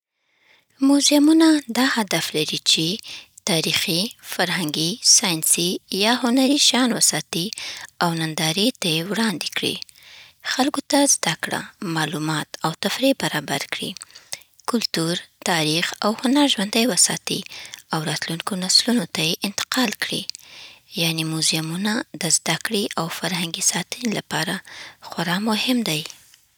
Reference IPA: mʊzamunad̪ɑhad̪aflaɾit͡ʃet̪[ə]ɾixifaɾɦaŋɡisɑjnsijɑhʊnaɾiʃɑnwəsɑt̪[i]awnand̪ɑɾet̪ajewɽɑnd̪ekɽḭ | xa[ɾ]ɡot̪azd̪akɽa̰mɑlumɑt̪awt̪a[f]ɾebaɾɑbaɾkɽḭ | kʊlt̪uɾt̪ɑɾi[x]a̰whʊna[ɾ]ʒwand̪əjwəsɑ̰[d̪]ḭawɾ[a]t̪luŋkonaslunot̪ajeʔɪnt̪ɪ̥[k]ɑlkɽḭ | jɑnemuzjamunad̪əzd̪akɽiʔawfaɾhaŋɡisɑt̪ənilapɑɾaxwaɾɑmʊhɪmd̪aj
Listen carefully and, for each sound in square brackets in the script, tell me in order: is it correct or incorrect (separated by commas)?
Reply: incorrect, correct, incorrect, correct, correct, correct, incorrect, incorrect, incorrect